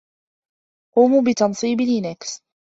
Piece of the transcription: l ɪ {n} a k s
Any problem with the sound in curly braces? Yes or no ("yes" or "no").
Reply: no